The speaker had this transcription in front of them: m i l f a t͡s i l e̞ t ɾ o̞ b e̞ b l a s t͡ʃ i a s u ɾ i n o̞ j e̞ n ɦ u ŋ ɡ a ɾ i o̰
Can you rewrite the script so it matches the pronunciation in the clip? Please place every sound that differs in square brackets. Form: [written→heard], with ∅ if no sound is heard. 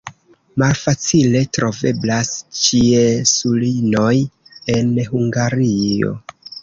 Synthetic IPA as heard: m [i→a] l f a t͡s i l e̞ t ɾ o̞ [b→v] e̞ b l a s t͡ʃ i [a→e] s u [ɾ→l] i n o̞ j e̞ n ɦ u ŋ ɡ a ɾ i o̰